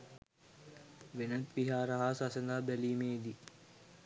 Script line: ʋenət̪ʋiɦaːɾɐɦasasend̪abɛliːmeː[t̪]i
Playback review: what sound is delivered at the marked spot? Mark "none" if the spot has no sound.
d̪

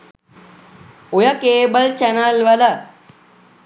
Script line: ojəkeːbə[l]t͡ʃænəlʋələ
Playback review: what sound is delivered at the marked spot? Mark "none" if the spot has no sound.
l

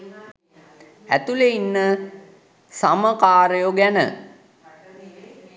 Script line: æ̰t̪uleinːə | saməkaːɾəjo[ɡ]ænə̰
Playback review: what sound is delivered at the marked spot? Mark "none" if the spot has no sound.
ɡ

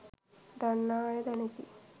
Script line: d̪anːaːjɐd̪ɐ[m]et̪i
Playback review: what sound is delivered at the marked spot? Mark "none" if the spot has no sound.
n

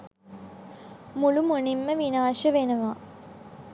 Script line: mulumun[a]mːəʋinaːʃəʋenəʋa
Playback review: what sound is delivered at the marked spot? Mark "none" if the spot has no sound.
i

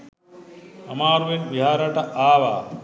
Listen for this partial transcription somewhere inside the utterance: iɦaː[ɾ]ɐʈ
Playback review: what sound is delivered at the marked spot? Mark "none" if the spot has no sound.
ɾ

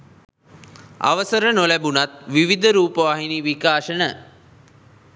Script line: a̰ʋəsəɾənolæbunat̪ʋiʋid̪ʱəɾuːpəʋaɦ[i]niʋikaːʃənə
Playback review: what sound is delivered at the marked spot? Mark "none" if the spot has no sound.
i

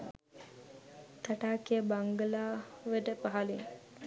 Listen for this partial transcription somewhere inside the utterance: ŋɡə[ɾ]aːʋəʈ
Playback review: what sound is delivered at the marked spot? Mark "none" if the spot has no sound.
l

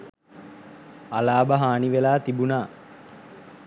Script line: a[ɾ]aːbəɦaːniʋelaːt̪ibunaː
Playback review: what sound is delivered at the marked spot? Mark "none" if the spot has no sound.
l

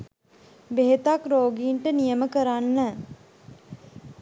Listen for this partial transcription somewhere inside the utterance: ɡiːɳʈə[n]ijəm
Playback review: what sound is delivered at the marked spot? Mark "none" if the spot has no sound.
n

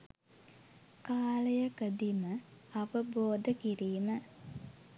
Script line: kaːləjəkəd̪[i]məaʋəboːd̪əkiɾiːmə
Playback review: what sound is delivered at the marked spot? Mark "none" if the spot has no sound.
i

